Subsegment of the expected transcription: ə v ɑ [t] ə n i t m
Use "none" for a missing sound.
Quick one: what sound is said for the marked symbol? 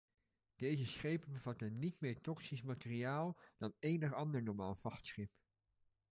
t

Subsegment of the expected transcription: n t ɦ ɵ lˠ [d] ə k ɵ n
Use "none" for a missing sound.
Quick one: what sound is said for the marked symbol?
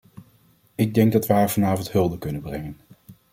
d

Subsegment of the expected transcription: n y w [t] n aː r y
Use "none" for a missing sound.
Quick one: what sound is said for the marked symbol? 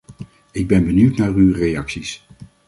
t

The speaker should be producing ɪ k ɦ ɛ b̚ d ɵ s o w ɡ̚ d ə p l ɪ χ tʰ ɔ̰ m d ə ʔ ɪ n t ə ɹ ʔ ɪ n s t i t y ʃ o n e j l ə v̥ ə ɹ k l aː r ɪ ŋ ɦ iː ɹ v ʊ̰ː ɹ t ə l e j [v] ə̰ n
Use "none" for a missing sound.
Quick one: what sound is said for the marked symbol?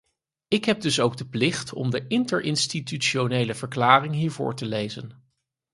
z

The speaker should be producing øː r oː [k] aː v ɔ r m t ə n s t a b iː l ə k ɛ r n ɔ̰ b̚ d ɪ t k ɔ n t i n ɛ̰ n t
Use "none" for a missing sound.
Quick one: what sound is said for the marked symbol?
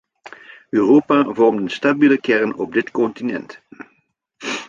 p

